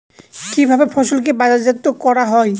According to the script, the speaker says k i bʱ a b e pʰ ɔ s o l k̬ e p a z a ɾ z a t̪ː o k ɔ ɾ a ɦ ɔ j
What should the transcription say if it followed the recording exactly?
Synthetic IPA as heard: k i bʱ a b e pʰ ɔ s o l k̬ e b a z a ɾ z a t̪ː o k ɔ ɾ a ɦ ɔ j